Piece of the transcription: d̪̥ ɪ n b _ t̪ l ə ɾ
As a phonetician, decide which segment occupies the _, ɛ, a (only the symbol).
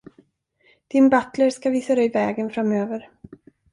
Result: a